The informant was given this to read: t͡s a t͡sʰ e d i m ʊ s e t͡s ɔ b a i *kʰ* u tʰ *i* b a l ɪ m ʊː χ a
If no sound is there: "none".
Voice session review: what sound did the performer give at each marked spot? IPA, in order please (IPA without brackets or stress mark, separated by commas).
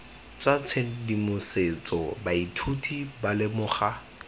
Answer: tʰ, i